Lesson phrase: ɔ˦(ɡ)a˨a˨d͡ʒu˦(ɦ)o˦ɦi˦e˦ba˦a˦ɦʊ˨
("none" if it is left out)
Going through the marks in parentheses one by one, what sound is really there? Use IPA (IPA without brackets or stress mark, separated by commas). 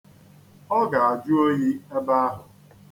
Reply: ɡ, none